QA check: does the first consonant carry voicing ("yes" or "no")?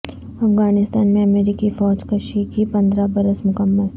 no